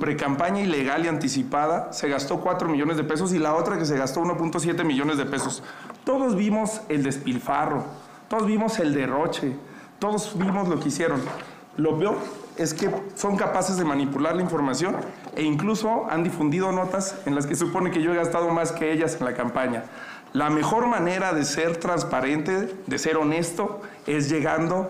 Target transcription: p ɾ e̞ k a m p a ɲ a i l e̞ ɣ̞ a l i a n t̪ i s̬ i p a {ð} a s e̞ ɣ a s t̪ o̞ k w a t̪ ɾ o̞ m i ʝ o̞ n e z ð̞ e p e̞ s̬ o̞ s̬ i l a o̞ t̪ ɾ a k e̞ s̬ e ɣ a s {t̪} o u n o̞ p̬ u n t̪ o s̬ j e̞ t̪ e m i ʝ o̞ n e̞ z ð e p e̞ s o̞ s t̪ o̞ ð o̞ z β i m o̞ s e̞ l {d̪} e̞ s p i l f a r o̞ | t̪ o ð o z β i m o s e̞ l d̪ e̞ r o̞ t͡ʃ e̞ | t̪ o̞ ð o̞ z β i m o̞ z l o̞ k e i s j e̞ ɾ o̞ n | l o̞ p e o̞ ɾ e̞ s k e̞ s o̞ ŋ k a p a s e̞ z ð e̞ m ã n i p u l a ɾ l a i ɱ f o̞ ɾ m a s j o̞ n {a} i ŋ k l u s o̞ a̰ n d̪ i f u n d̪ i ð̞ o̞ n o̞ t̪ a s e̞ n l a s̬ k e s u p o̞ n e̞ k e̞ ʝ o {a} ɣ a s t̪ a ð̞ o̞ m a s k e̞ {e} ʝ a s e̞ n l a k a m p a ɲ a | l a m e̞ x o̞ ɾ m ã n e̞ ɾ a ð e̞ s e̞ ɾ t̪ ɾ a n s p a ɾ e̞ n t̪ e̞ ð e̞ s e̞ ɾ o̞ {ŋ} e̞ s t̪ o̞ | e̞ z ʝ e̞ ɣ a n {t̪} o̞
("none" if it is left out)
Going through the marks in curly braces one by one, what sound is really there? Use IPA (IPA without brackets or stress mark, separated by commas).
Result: ð, t̪, d̪, e, e, e, n, d̪